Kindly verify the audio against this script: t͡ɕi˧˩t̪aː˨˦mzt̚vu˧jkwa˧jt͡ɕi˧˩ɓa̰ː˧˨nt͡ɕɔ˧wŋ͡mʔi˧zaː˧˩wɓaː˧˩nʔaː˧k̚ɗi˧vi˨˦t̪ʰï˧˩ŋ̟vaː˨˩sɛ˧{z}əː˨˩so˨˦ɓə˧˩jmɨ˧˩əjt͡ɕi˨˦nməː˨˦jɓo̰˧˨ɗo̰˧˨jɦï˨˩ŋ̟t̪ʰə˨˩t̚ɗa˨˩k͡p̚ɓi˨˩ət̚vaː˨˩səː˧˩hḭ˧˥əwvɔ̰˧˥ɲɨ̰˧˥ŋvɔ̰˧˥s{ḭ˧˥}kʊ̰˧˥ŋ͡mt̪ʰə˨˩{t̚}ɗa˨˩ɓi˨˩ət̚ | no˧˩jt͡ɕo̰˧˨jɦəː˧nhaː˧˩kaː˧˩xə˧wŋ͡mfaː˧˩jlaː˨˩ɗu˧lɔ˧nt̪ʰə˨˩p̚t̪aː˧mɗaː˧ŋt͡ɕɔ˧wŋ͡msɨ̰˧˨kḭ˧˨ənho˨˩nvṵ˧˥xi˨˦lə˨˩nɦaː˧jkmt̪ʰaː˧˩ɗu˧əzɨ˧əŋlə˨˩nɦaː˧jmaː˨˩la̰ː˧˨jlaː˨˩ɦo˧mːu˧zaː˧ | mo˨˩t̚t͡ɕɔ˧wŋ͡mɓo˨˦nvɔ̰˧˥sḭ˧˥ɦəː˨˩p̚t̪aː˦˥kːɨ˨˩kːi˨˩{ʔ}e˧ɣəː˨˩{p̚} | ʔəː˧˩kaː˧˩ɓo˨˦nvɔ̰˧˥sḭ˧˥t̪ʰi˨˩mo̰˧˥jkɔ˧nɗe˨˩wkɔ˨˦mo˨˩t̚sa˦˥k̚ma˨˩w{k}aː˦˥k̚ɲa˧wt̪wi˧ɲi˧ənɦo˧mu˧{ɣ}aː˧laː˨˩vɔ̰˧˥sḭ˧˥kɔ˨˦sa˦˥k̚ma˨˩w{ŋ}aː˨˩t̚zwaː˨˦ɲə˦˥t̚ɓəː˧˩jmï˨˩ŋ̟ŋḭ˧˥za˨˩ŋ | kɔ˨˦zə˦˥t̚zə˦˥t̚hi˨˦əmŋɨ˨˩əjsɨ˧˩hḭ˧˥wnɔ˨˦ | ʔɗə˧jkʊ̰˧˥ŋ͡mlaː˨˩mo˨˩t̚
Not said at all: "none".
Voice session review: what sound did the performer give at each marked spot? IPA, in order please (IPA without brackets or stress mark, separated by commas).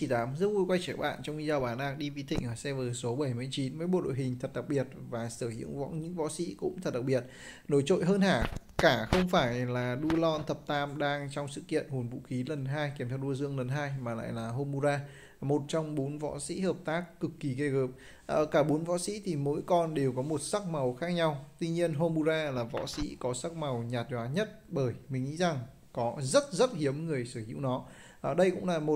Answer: v, ḭ˧˥, t̚, k, p̚, x, z, ɲ